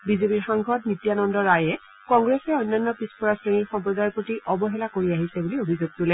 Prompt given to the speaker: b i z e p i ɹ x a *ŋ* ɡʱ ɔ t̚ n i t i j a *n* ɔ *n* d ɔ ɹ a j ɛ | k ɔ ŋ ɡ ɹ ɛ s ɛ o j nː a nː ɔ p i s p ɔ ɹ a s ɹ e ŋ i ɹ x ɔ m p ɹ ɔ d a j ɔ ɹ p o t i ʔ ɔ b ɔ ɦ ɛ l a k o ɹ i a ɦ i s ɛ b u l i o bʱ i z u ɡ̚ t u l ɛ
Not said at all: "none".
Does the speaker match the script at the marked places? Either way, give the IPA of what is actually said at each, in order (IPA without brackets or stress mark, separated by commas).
ŋ, n, n